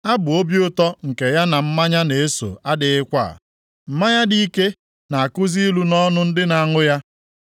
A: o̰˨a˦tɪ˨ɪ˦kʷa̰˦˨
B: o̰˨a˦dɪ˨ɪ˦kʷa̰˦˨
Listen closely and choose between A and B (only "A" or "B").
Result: B